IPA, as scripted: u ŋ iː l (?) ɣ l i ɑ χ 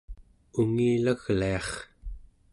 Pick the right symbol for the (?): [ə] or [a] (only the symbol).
a